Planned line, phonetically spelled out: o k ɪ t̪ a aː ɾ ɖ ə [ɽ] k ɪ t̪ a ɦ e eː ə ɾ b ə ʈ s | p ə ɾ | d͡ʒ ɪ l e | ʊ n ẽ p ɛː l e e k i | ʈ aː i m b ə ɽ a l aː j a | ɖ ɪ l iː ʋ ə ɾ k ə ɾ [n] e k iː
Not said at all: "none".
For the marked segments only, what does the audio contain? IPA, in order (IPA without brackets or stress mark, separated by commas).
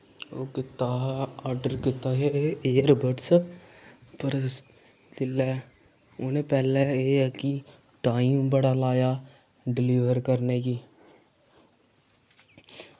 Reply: ɾ, n